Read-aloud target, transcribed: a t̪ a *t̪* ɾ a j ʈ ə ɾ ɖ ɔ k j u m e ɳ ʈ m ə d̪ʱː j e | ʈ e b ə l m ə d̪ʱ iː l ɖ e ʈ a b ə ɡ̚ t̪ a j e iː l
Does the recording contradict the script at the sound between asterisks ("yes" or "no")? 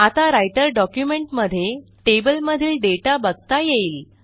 yes